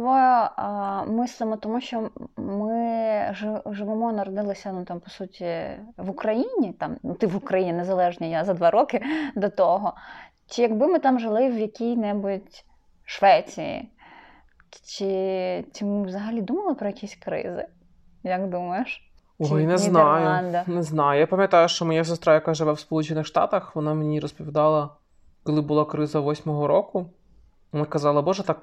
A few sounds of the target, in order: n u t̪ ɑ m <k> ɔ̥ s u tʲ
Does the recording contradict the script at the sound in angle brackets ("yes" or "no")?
yes